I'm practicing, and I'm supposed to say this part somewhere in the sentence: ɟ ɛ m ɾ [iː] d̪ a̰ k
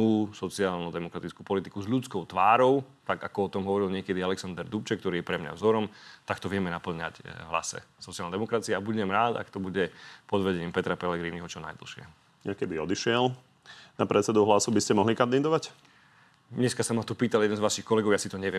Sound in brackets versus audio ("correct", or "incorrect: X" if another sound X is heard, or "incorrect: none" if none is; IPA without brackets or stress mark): incorrect: aː